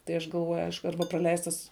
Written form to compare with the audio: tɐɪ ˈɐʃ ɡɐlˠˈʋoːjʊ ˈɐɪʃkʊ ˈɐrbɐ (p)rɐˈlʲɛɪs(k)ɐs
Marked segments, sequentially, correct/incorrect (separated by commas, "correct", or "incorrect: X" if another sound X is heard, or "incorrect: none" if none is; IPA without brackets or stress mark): correct, incorrect: t